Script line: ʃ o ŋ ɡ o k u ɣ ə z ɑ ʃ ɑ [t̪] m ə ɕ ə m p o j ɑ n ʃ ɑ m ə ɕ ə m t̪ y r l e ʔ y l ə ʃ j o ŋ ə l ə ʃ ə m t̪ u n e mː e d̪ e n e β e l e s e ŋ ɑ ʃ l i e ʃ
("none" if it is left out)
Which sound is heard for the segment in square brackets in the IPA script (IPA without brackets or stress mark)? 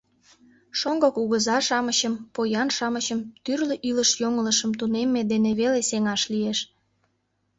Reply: none